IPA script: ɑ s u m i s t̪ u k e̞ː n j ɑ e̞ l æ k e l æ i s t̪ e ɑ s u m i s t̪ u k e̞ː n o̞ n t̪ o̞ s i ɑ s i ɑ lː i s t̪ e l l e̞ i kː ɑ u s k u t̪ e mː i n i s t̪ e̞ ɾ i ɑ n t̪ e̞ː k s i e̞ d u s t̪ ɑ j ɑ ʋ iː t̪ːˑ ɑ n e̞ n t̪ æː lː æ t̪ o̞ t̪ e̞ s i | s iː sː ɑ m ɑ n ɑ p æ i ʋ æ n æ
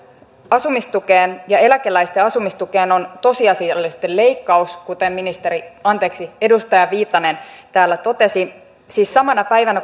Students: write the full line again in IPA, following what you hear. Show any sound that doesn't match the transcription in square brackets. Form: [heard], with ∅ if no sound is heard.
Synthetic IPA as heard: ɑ s u m i s t̪ u k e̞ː n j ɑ e̞ l æ k e l æ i s t̪ e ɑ s u m i s t̪ u k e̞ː n o̞ n t̪ o̞ s i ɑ s i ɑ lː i s t̪ e l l e̞ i kː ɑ u s k u t̪ e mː i n i s t̪ e̞ ɾ i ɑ n t̪ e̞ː k s i e̞ d u s t̪ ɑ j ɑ ʋ iː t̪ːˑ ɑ n e̞ n t̪ æː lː æ t̪ o̞ t̪ e̞ s i | s iː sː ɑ m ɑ n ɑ p æ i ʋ æ n æ